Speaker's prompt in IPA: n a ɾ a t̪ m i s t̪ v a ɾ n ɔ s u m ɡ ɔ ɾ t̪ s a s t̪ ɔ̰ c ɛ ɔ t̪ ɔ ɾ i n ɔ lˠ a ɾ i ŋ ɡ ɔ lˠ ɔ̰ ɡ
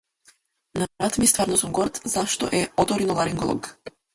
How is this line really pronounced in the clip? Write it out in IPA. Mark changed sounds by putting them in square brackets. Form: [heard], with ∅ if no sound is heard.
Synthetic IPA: n a ɾ a t̪ m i s t̪ v a ɾ n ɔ s u m ɡ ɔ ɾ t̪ [z] a [ʃ] t̪ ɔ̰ [ʔ] ɛ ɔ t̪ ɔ ɾ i n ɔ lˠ a ɾ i ŋ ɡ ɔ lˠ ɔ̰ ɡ